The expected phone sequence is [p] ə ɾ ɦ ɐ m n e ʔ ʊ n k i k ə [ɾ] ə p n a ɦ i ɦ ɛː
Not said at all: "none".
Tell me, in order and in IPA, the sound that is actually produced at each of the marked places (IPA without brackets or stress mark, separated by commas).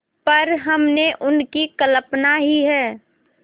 p, l